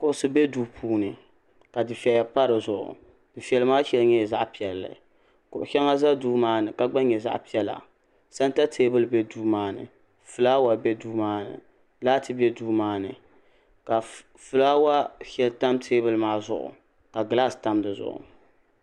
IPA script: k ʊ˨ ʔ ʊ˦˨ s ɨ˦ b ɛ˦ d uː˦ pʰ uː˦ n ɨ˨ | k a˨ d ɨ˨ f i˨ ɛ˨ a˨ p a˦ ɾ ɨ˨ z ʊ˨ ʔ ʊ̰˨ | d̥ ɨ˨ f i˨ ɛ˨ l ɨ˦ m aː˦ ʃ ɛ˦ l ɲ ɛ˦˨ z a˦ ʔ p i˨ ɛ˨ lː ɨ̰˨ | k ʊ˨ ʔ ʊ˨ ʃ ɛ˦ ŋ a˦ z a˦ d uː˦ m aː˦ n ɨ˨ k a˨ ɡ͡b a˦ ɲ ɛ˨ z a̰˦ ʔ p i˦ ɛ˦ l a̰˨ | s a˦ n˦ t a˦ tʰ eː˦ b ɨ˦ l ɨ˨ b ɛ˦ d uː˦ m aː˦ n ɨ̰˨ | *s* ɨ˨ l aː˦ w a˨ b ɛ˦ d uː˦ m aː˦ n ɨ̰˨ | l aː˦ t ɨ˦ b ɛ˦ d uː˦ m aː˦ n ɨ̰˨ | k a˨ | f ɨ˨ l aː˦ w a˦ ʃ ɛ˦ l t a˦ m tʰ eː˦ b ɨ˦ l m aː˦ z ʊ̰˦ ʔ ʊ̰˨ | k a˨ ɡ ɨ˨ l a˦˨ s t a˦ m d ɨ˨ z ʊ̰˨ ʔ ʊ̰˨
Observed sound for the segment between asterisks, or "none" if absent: f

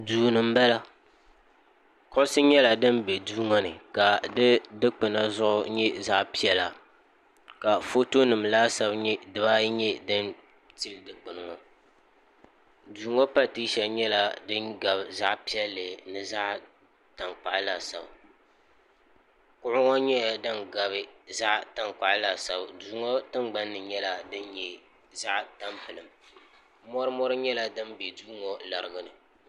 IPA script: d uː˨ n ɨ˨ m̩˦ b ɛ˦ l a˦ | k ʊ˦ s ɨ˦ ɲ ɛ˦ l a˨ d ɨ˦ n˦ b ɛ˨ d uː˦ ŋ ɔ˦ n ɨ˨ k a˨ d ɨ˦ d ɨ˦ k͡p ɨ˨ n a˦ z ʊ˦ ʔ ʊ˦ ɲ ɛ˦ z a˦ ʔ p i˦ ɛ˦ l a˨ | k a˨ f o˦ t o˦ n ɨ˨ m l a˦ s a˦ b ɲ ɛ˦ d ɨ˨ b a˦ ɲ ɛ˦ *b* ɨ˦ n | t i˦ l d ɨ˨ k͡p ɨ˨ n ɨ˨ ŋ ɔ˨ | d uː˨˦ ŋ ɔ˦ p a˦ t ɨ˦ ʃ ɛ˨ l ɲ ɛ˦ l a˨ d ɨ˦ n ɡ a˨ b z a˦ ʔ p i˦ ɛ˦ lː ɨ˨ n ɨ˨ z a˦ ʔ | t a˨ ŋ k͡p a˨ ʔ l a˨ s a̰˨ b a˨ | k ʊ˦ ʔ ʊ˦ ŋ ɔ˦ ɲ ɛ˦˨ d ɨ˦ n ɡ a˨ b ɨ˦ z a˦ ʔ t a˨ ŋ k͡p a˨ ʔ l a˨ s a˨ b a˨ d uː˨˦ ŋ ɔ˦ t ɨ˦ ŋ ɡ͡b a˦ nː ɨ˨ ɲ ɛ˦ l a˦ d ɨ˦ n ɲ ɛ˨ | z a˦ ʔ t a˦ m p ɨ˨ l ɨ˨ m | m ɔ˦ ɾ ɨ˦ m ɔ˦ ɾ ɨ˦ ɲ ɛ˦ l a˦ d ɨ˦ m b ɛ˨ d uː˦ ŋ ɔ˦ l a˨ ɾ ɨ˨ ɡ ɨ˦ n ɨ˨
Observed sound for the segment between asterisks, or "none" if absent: d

